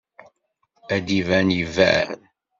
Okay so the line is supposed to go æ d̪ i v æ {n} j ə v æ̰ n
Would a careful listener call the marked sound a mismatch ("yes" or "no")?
no